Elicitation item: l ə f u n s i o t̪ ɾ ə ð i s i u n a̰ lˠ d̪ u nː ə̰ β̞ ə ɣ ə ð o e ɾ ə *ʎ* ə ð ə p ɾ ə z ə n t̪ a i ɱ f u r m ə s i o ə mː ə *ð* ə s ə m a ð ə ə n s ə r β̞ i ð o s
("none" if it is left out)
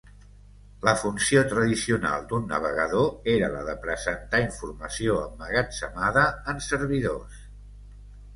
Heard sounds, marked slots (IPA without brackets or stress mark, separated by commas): l, ɣ